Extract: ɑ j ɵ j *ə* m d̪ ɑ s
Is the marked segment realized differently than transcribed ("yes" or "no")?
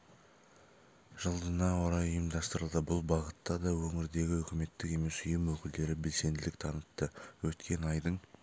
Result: no